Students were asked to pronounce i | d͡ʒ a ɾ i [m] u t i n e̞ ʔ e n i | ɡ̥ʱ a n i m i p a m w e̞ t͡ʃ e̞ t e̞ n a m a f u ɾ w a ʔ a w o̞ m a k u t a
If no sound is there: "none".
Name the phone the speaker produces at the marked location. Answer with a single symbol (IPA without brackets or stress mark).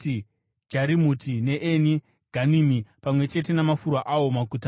m